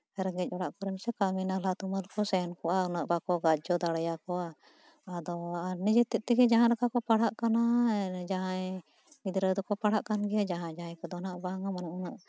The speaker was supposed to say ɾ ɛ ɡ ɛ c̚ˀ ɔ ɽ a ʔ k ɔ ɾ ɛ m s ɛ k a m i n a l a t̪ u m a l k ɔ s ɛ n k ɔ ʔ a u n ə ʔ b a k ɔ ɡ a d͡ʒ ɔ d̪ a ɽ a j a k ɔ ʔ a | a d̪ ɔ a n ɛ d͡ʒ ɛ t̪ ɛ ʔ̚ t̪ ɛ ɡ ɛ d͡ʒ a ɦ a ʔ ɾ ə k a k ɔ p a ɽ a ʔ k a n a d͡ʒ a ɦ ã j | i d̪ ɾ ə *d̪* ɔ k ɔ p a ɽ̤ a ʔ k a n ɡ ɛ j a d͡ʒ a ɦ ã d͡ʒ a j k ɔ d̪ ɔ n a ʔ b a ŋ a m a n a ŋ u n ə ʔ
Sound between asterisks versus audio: correct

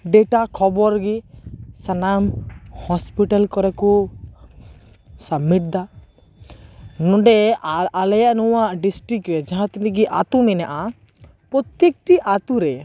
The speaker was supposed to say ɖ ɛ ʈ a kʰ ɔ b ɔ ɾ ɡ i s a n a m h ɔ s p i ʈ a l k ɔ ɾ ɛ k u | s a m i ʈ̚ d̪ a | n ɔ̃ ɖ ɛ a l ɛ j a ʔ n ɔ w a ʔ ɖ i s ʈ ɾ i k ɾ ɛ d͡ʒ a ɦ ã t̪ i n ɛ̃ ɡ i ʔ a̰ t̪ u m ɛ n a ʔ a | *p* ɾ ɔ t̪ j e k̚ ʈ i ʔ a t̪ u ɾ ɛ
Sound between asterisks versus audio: correct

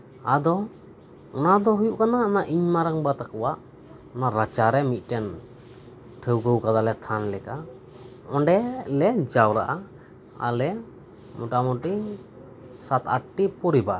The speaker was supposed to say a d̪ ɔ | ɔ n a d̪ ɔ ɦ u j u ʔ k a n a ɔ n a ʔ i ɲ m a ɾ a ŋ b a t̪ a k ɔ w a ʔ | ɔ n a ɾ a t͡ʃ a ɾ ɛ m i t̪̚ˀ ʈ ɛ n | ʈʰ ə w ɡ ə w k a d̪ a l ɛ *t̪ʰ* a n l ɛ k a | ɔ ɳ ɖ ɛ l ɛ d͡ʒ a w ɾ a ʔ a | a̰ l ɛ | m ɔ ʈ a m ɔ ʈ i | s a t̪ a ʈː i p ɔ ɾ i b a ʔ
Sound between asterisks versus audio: correct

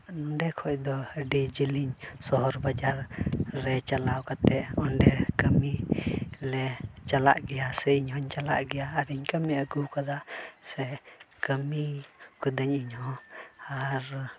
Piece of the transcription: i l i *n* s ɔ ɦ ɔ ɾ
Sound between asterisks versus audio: incorrect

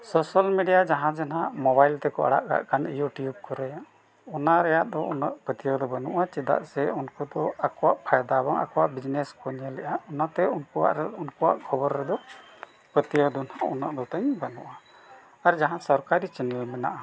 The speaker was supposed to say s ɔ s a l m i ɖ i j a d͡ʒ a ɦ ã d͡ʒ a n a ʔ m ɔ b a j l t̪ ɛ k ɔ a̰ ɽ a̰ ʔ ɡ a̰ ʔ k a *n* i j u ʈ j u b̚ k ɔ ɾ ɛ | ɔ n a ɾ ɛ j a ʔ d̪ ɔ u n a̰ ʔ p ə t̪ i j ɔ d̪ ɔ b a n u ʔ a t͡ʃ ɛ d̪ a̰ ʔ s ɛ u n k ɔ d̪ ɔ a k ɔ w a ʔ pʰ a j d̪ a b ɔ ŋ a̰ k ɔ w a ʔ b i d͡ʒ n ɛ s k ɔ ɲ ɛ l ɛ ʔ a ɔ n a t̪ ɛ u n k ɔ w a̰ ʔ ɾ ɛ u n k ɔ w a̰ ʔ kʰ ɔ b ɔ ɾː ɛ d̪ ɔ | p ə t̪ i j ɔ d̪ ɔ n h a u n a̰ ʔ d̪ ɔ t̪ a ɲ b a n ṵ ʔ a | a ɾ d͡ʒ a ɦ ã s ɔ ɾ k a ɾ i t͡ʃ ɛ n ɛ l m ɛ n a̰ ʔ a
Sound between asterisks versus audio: correct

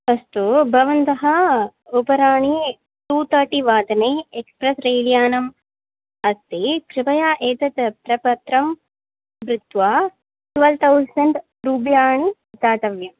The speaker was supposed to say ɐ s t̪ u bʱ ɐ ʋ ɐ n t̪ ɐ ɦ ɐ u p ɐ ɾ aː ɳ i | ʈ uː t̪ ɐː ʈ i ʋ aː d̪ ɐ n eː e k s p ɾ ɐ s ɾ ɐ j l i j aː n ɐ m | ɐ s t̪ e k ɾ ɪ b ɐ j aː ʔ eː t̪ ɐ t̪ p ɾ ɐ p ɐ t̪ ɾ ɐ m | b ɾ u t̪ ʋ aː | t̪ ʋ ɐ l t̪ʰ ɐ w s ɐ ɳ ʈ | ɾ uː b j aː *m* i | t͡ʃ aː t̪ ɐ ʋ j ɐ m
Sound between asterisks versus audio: incorrect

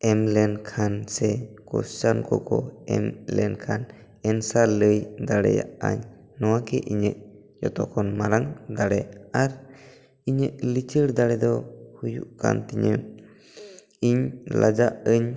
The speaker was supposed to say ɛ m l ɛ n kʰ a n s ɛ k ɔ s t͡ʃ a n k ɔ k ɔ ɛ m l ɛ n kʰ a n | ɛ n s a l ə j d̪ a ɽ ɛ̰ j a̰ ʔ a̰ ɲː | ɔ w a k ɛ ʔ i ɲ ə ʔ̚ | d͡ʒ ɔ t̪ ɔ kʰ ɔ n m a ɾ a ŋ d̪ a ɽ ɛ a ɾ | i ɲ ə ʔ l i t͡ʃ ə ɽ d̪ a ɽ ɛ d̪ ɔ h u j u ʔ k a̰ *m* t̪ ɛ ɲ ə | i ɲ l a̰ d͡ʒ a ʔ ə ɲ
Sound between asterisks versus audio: incorrect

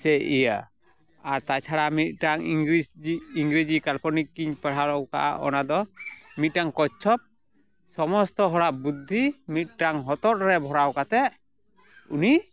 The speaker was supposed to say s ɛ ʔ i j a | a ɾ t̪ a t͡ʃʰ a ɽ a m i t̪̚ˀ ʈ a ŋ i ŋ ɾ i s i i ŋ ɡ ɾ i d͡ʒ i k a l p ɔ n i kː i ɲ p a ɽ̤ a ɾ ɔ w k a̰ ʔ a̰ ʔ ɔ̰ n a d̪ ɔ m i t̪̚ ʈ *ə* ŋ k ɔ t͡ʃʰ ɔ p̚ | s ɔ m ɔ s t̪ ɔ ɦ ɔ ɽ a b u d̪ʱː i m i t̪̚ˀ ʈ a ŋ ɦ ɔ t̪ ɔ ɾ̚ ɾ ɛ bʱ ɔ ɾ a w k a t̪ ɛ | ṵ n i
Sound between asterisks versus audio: incorrect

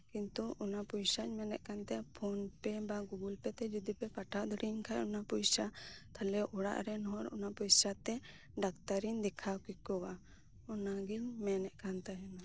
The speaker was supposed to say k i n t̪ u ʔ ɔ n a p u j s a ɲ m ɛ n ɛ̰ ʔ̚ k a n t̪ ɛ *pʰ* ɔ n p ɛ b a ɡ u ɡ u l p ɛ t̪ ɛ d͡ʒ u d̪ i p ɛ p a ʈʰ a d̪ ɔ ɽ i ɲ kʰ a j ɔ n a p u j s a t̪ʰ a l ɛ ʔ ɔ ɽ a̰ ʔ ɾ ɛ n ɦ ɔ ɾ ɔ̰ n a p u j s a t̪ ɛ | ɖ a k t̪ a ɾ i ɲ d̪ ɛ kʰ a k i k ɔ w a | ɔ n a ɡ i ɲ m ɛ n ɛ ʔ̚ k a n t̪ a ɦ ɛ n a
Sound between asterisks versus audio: correct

